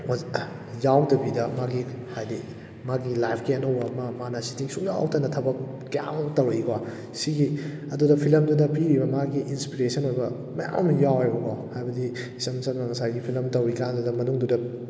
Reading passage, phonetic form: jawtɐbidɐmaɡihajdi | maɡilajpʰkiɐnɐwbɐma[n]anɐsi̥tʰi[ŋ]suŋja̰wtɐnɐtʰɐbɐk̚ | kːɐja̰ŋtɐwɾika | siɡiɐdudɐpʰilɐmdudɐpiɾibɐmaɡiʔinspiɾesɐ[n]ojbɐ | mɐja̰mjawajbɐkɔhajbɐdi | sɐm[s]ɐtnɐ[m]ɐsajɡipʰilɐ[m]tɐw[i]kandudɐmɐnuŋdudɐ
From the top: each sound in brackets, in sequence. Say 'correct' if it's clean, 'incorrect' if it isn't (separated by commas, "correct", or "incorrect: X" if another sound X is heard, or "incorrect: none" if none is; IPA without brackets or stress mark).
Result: incorrect: m, correct, correct, correct, incorrect: ŋ, correct, correct